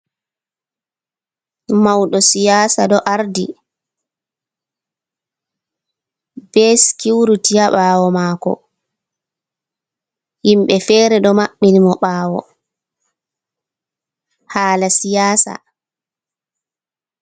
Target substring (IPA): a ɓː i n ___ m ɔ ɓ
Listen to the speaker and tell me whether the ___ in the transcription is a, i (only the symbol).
i